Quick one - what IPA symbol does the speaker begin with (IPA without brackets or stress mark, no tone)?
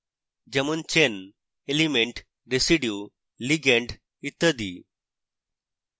d͡ʑ